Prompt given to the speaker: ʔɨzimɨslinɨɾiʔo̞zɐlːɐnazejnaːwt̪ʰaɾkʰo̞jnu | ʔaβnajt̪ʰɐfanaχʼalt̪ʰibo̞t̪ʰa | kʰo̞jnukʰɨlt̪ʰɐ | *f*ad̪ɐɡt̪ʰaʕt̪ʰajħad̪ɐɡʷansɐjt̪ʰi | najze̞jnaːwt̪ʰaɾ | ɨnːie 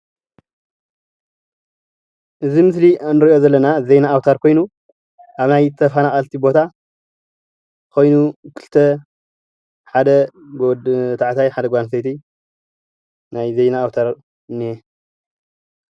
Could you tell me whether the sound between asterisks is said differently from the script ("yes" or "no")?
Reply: yes